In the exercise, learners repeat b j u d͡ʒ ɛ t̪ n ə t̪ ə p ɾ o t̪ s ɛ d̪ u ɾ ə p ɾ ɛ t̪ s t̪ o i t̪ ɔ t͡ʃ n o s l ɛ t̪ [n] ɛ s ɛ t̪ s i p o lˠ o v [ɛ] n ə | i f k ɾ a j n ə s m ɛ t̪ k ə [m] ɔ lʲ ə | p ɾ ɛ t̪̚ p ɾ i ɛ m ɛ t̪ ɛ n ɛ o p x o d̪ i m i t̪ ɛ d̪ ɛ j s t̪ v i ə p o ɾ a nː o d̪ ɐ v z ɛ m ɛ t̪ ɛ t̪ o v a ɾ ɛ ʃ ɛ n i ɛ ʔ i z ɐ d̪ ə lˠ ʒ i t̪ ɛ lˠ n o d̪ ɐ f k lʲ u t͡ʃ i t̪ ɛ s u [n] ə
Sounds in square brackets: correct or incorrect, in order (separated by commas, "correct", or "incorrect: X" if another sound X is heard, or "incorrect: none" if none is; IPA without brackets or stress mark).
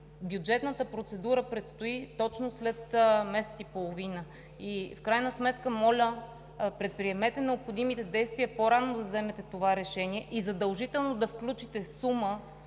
incorrect: m, incorrect: i, correct, incorrect: m